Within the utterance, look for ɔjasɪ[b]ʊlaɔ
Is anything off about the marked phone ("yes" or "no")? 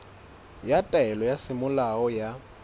yes